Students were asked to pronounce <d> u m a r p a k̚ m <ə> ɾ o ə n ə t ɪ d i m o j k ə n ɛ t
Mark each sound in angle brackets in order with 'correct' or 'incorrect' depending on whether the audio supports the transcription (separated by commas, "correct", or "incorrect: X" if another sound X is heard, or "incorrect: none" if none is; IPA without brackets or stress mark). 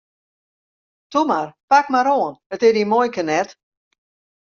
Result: incorrect: t, incorrect: a